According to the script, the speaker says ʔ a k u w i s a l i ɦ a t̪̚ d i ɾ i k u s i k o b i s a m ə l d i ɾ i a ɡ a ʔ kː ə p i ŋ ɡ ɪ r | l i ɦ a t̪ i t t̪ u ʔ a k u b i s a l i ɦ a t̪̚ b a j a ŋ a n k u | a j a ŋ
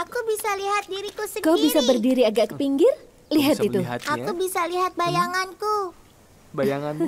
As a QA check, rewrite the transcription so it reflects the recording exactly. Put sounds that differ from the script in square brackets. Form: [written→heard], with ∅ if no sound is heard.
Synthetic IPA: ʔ a k u [w→b] i s a l i ɦ a t̪̚ d i ɾ i k u s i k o b i s a [m→b] ə [l→r] d i ɾ i a ɡ a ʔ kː ə p i ŋ ɡ ɪ r | l i ɦ a t̪ i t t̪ u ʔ a k u b i s a l i ɦ a t̪̚ b a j a ŋ a n k u | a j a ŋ